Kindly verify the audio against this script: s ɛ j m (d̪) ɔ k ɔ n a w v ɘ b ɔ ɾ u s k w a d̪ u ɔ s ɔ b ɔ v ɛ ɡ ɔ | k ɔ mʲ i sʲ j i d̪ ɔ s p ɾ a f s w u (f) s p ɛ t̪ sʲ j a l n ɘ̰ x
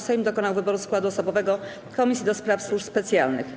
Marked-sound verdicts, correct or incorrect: correct, incorrect: ʂ

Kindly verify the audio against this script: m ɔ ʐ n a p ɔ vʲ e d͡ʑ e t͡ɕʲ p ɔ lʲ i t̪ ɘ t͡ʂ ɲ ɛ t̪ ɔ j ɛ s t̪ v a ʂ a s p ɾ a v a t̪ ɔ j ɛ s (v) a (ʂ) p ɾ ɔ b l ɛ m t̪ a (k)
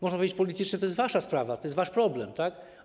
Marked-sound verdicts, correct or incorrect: correct, correct, correct

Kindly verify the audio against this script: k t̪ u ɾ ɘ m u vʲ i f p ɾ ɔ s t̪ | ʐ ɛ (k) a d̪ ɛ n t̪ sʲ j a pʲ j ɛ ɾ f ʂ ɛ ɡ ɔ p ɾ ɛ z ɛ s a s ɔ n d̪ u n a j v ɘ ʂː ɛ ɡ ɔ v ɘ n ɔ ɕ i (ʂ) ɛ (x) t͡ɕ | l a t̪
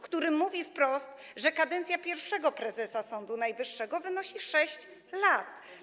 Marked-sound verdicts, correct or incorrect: correct, correct, incorrect: ɕ

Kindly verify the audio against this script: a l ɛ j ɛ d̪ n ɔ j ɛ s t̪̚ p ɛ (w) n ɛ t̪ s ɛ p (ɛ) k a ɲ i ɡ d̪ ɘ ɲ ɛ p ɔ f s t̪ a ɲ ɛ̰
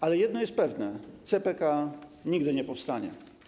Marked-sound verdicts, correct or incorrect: incorrect: v, correct

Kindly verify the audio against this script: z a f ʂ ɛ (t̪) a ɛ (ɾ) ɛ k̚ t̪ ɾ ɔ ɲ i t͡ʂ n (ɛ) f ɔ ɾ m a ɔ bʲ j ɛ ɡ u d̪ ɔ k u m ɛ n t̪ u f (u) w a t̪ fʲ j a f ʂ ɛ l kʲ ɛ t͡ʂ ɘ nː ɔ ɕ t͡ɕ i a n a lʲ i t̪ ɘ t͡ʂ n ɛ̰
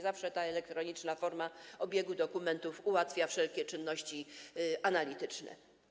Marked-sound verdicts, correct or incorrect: correct, incorrect: l, incorrect: a, correct

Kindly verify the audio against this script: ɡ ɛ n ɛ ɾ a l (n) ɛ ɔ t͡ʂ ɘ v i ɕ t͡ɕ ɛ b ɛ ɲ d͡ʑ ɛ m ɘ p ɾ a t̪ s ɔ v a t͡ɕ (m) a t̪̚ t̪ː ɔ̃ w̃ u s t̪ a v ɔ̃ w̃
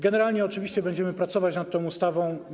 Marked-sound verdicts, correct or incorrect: incorrect: ɲ, incorrect: n

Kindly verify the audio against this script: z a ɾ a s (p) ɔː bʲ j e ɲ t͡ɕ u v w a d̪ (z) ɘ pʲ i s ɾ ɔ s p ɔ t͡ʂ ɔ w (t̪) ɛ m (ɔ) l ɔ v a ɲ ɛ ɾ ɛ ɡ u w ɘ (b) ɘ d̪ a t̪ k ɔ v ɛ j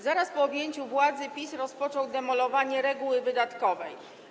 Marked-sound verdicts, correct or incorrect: correct, correct, incorrect: d̪, correct, incorrect: v

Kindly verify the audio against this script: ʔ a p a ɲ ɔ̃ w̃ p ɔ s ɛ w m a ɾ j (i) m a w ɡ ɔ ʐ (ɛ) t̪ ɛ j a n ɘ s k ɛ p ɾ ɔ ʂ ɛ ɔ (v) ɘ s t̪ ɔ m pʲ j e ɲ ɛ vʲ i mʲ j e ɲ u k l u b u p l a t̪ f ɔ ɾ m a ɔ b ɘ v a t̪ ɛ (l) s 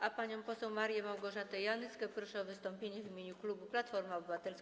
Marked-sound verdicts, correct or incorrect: incorrect: ɛ, incorrect: a, correct, correct

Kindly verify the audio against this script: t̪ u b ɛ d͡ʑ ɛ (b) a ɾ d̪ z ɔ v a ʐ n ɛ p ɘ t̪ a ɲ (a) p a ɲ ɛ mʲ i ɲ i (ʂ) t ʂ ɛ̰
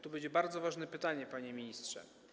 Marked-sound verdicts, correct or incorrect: correct, incorrect: ɛ, incorrect: s

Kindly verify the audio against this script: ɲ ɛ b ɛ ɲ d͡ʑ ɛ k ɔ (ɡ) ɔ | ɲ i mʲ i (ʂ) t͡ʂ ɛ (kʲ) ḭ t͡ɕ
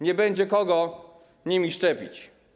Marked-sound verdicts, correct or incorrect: correct, correct, incorrect: pʲ

